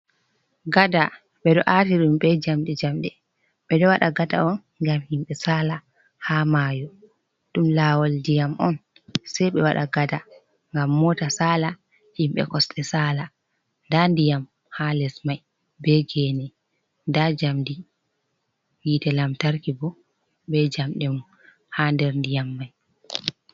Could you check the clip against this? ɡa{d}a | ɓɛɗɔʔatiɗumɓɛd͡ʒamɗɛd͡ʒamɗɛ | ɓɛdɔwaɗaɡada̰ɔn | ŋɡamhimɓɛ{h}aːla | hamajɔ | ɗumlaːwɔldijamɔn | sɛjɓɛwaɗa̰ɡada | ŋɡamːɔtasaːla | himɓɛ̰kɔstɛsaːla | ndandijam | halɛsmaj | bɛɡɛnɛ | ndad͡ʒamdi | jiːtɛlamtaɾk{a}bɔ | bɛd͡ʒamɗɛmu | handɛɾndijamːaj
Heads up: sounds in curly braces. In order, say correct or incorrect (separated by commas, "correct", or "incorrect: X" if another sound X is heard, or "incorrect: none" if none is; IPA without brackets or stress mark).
correct, incorrect: s, incorrect: i